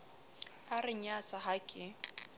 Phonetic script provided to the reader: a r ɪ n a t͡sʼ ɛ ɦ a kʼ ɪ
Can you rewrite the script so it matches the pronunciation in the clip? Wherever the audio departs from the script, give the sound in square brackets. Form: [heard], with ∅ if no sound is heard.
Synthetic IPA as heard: a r ɪ [ɲ] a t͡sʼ [a] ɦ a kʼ ɪ